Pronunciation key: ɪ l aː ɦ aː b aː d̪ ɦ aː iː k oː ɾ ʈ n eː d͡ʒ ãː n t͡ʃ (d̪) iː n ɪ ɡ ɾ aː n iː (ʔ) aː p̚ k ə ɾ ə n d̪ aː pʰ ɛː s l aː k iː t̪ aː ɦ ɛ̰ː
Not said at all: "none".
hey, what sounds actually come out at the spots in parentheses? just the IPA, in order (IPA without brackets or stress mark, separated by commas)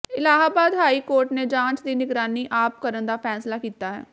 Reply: d̪, ʔ